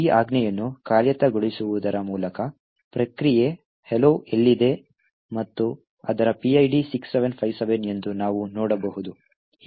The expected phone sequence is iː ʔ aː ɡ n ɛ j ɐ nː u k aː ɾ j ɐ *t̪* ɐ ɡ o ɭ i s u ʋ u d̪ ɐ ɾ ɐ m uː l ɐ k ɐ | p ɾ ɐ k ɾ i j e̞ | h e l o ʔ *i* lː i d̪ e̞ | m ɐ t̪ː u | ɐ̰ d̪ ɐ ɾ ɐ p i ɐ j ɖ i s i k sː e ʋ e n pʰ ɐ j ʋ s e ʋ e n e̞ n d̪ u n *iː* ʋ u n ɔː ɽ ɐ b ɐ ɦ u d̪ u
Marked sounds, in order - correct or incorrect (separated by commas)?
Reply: correct, incorrect, incorrect